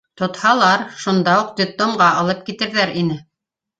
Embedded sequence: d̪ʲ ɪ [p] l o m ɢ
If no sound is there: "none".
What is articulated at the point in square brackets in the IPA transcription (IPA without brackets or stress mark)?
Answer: p